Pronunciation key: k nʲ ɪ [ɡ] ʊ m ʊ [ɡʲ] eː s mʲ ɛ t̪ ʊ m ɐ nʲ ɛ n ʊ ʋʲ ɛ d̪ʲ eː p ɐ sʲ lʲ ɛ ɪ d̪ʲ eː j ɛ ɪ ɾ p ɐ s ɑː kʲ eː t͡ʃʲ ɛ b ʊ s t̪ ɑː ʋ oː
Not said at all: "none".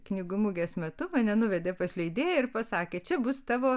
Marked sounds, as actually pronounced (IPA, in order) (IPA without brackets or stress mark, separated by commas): ɡ, ɡʲ